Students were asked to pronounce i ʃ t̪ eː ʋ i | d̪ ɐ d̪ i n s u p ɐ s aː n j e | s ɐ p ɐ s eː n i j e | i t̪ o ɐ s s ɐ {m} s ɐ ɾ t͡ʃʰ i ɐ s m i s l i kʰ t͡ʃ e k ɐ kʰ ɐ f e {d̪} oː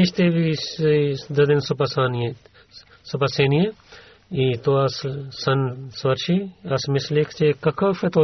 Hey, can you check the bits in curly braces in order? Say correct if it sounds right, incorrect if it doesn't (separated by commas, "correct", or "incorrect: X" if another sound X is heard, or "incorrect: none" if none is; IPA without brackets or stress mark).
incorrect: n, incorrect: t̪